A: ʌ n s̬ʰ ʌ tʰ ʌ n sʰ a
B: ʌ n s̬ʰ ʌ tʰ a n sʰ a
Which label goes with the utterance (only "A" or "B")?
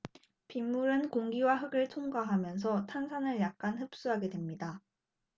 B